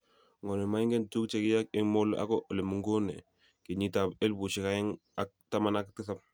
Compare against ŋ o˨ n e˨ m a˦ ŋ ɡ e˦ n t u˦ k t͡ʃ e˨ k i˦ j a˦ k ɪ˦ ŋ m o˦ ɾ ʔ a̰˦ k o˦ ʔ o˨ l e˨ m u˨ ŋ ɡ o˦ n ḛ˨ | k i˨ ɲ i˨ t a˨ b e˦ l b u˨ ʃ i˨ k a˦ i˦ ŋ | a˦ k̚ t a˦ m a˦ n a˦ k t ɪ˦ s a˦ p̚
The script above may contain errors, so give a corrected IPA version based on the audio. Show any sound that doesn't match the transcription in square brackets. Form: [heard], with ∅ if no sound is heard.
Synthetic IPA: ŋ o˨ n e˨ m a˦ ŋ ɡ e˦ n t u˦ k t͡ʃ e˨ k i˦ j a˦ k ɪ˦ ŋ m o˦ [l] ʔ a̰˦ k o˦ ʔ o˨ l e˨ m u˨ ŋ ɡ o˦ n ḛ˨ | k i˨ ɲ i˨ t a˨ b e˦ l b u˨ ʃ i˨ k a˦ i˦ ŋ | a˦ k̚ t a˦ m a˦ n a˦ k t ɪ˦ s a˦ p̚